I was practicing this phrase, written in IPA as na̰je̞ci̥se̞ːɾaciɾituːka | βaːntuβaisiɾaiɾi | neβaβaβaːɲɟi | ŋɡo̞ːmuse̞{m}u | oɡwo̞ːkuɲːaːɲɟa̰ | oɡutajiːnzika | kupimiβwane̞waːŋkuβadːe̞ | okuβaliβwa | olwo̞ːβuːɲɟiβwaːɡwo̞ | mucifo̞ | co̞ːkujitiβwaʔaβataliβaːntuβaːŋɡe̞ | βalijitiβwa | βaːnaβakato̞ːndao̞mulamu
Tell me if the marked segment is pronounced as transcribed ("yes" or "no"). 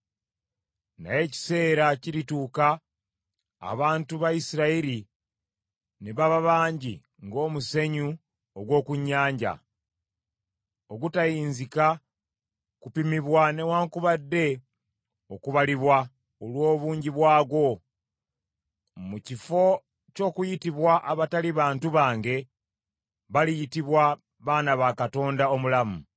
no